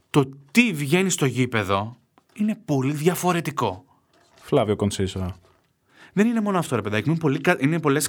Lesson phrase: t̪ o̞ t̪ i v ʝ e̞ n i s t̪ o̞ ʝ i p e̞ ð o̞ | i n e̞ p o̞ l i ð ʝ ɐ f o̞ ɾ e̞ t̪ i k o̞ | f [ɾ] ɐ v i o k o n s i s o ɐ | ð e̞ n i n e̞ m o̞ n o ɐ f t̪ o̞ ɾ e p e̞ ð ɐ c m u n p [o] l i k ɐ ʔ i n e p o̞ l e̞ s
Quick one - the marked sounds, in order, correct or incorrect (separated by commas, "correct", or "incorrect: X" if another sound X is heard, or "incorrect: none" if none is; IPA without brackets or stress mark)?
incorrect: l, correct